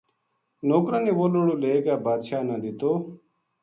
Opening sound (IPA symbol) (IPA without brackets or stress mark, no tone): n